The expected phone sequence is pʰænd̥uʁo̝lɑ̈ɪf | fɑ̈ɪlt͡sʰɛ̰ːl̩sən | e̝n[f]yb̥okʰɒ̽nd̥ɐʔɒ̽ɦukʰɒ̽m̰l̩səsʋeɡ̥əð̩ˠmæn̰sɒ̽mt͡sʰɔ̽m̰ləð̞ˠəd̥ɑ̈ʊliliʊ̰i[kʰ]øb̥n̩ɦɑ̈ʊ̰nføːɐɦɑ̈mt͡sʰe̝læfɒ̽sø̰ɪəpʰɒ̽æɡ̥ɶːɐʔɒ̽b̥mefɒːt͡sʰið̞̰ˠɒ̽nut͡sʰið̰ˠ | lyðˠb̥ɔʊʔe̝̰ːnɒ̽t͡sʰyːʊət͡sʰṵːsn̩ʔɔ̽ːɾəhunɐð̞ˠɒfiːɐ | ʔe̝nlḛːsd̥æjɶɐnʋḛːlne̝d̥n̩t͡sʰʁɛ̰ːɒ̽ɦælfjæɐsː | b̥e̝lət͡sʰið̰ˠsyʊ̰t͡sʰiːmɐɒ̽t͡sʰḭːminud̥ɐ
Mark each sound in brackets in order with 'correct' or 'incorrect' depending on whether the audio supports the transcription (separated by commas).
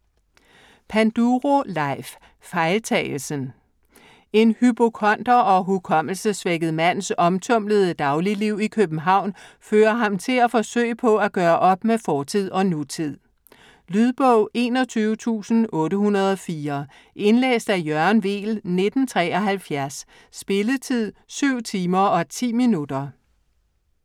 incorrect, correct